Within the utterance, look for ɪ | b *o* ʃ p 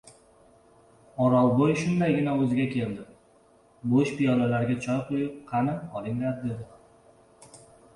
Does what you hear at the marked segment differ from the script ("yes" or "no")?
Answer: no